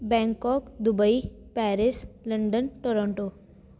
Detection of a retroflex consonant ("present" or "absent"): present